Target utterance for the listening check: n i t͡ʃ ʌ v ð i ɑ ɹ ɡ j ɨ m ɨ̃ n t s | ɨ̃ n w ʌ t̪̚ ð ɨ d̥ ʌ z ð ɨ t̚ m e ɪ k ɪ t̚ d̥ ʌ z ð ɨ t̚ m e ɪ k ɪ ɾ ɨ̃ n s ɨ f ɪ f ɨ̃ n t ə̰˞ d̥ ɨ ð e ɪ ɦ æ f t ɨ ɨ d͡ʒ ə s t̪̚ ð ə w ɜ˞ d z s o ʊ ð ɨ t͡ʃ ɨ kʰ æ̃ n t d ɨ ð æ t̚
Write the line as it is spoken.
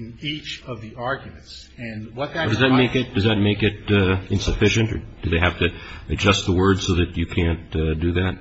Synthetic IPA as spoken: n i t͡ʃ ʌ v ð i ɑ ɹ ɡ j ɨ m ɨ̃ n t s | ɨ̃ n w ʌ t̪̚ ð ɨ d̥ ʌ z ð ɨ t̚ m e ɪ k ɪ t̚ d̥ ʌ z ð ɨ t̚ m e ɪ k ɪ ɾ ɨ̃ n s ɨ f ɪ ʃ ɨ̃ n t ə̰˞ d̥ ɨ ð e ɪ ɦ æ f t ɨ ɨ d͡ʒ ʌ s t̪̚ ð ə w ɜ˞ d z s o ʊ ð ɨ t͡ʃ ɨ kʰ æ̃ n t d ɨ ð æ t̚

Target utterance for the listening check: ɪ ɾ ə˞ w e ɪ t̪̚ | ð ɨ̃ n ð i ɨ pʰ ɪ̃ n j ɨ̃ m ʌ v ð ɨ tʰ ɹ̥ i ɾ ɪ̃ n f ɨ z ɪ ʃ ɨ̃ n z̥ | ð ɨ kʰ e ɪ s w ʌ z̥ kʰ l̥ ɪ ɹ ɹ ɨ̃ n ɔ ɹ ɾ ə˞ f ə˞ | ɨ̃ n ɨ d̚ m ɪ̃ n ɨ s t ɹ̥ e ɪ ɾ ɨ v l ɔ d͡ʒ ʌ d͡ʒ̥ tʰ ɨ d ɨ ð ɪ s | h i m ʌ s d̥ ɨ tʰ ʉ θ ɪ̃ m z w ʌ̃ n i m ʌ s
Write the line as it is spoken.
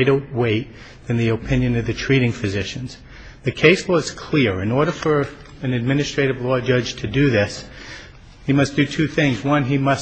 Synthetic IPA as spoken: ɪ ɾ ə˞ w e ɪ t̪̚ | ð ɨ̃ n ð i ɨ pʰ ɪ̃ n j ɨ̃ n ʌ v ð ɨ tʰ ɹ̥ i ɾ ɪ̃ ŋ f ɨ z ɪ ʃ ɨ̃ n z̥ | ð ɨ kʰ e ɪ s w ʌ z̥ kʰ l̥ ɪ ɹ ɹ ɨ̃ n ɔ ɹ ɾ ə˞ f ə˞ | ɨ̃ n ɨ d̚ m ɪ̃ n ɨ s t ɹ̥ e ɪ ɾ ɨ v l ɔ d͡ʒ ʌ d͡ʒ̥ tʰ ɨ d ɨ ð ɪ s | h i m ʌ s d̥ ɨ tʰ ʉ θ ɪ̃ ŋ z w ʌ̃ n i m ʌ s

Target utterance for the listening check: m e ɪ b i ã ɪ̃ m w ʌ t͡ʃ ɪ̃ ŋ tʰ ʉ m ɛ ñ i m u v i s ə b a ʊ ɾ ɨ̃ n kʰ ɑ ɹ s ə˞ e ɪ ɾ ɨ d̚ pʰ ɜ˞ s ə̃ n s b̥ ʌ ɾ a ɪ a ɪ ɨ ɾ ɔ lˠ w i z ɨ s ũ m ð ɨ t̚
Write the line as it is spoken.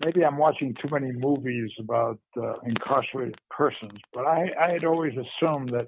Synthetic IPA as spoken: m e ɪ b i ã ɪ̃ m w ɑ t͡ʃ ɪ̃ ŋ tʰ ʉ m ɛ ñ i m u v i z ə b a ʊ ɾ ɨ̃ n kʰ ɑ ɹ s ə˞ e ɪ ɾ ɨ d̚ pʰ ɜ˞ s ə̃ n z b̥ ʌ ɾ a ɪ a ɪ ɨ ɾ ɔ lˠ w i z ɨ s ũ m ð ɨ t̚

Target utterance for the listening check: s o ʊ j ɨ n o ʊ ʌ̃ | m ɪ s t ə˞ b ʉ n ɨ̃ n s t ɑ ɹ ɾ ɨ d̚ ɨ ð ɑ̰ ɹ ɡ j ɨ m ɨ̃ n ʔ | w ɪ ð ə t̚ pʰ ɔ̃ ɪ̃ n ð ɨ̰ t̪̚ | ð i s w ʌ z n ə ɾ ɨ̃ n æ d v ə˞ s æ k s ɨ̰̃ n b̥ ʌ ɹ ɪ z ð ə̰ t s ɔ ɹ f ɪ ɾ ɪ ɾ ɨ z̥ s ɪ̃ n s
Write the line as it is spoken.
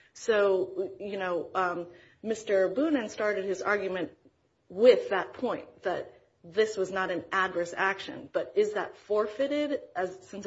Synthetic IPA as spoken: s o ʊ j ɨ n o ʊ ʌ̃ | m ɪ s t ə˞ b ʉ n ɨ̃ n s t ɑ ɹ ɾ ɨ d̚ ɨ z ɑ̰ ɹ ɡ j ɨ m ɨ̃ n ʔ | w ɪ ð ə t̚ pʰ ɔ̃ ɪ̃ n ð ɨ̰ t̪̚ | ð ɪ s w ʌ z n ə ɾ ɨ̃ n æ d v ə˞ s æ k ʃ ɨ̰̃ n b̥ ʌ ɾ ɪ z ð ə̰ t f ɔ ɹ f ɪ ɾ ɪ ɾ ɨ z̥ s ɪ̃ n s

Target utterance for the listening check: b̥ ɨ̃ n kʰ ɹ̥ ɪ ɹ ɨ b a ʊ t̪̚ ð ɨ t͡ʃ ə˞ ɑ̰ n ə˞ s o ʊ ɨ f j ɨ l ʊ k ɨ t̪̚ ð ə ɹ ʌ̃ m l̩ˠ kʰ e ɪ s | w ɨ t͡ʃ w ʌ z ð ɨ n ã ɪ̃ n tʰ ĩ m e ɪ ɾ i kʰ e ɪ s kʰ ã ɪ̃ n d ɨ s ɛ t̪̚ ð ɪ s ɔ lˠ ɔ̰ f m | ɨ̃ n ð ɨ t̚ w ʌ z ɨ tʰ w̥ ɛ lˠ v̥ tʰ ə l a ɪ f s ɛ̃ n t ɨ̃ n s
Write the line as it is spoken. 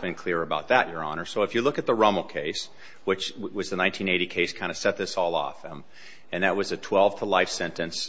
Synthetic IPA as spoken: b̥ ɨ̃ n kʰ l̥ ɪ ɹ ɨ b a ʊ t̪̚ ð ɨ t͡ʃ ə˞ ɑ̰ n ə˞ s o ʊ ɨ f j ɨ l ʊ k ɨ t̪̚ ð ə ɹ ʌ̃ m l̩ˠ kʰ e ɪ s | w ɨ t͡ʃ w ʌ z ð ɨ n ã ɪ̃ n tʰ ĩ n e ɪ ɾ i kʰ e ɪ s kʰ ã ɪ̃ n d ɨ s ɛ t̪̚ ð ɪ s ɔ lˠ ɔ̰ f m | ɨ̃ n ð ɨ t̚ w ʌ z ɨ tʰ w̥ ɛ lˠ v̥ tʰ ə l a ɪ f s ɛ̃ n t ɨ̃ n s

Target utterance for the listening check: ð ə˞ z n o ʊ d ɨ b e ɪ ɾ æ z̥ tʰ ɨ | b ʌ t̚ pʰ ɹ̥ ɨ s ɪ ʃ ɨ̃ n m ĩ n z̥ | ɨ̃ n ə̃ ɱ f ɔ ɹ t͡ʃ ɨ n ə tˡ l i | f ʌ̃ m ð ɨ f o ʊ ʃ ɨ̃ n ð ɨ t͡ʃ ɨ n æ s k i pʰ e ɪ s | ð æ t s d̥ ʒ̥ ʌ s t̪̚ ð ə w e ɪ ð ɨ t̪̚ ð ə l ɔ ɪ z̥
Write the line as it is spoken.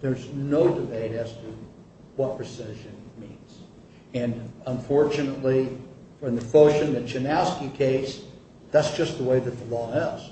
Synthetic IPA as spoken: ð ə˞ z n o ʊ d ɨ b e ɪ ɾ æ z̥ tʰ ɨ | w ʌ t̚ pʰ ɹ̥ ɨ s ɪ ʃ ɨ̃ n m ĩ n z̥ | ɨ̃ n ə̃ ɱ f ɔ ɹ t͡ʃ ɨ n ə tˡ l i | f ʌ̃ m ð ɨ f o ʊ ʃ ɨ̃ n ð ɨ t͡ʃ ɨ n æ s k i kʰ e ɪ s | ð æ t s d̥ ʒ̥ ʌ s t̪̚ ð ə w e ɪ ð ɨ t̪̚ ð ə l ɔ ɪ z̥

